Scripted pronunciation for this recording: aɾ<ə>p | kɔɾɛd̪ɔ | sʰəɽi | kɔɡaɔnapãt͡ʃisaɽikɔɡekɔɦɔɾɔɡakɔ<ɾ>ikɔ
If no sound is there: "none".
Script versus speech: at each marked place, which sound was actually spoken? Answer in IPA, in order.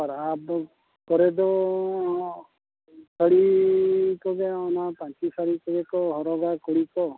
a, ɽ

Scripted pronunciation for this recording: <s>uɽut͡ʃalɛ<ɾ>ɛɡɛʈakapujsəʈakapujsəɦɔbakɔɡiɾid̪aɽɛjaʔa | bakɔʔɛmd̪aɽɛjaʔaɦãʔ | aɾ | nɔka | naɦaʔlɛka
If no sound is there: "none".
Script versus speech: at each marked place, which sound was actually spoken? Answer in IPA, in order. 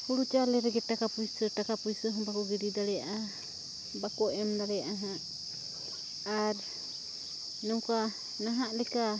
h, ɾ

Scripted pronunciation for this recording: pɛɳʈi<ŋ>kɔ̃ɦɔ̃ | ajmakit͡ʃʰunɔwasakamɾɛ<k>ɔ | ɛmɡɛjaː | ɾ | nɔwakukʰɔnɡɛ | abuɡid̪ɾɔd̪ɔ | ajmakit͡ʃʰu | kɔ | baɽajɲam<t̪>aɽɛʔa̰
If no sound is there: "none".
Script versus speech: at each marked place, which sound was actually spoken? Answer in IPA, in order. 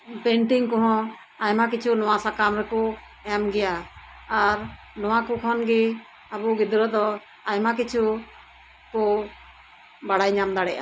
ŋ, k, d̪

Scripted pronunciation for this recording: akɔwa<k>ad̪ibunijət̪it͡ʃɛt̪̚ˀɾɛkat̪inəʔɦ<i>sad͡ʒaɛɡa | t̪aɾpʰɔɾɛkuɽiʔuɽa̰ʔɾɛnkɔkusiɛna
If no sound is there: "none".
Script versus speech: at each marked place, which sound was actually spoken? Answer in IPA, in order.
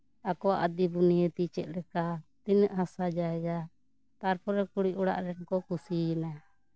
ʔ, a

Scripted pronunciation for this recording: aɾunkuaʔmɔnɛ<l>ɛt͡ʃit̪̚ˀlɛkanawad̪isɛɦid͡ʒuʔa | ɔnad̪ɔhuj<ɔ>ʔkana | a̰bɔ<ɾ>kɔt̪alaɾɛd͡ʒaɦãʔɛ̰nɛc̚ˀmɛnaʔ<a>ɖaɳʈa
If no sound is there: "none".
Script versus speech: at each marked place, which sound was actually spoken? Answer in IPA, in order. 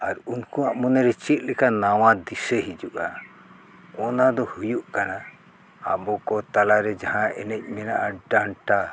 ɾ, u, none, a

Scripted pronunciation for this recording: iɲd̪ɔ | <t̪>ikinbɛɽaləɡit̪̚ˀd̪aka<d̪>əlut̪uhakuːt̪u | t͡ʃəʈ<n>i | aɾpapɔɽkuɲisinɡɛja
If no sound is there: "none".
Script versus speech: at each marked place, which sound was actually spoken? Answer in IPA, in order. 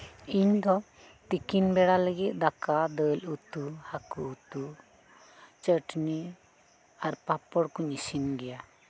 t̪, d̪, n

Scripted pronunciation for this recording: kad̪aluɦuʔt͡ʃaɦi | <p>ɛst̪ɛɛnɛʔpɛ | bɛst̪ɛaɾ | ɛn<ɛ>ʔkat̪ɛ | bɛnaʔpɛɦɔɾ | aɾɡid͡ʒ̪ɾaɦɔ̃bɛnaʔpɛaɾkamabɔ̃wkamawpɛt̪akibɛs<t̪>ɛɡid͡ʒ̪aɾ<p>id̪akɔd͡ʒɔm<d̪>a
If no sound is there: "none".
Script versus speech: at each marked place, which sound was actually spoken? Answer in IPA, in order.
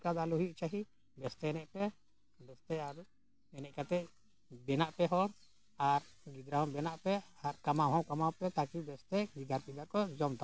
b, ɛ, t̪, p, t̪

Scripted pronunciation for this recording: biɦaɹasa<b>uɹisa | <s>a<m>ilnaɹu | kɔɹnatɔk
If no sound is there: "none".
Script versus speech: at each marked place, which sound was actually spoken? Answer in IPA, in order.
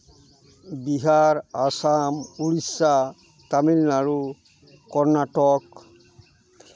m, t, m

